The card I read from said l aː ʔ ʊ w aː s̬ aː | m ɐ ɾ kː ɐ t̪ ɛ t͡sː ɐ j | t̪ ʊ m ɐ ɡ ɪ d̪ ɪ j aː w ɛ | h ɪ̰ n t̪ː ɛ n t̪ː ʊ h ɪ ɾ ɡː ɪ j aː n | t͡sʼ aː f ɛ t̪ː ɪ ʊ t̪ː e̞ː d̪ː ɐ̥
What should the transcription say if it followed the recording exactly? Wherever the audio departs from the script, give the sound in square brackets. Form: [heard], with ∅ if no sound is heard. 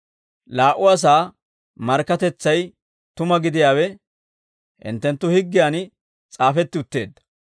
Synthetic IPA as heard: l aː ʔ ʊ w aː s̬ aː | m ɐ ɾ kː ɐ t̪ ɛ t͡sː ɐ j | t̪ ʊ m ɐ ɡ ɪ d̪ ɪ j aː w ɛ | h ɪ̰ n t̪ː ɛ n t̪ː ʊ h ɪ [∅] ɡː ɪ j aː n | t͡sʼ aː f ɛ t̪ː ɪ ʊ t̪ː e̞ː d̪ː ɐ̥